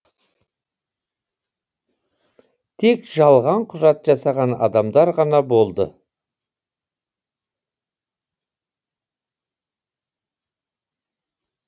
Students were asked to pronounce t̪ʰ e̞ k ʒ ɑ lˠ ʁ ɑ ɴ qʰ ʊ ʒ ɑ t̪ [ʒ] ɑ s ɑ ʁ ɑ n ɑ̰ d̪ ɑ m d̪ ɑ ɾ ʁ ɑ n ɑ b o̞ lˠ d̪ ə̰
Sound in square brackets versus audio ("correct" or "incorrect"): correct